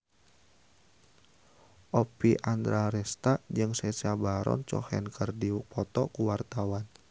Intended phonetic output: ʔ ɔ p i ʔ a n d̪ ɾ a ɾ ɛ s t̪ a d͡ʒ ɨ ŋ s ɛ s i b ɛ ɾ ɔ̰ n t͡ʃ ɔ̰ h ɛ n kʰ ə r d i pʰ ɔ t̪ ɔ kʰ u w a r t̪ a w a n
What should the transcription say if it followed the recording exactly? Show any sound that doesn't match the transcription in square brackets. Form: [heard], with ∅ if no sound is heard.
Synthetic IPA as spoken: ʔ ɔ p i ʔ a n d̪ ɾ a ɾ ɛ s t̪ a d͡ʒ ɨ ŋ s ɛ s [a] b [a] ɾ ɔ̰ n t͡ʃ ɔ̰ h ɛ n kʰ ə r d i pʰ ɔ t̪ ɔ [k] u w a r t̪ a w a n